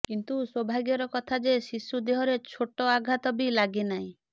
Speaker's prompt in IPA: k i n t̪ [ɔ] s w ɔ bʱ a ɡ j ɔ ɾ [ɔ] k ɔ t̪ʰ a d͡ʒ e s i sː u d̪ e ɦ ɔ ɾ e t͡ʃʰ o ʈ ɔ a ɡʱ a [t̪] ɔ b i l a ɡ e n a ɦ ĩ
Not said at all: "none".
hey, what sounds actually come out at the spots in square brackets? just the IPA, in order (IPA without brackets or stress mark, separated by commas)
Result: u, ɔ, t̪